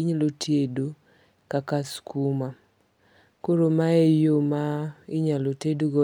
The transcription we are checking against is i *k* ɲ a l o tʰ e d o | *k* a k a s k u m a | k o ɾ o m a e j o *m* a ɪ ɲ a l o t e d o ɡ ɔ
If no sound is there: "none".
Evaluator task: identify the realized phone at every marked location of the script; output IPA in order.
none, k, m

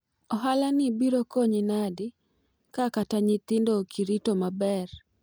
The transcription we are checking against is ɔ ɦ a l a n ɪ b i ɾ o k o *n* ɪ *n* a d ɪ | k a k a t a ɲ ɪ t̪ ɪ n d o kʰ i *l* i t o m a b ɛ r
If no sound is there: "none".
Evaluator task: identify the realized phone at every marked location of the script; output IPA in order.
ɲ, n, ɾ

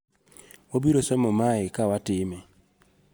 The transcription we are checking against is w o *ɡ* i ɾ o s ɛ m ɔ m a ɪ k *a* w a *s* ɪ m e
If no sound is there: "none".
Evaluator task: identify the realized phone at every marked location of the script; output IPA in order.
b, a, t

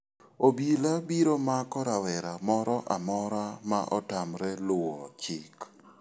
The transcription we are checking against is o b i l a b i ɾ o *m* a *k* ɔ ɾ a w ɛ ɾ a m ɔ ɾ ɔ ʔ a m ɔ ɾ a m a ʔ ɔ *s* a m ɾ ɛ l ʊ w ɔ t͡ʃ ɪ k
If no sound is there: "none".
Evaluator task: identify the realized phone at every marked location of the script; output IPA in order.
m, k, t

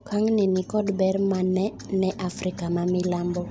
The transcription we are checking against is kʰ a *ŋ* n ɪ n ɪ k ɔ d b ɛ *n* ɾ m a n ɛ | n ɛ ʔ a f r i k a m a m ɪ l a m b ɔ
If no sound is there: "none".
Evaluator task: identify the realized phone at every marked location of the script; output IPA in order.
ŋ, none

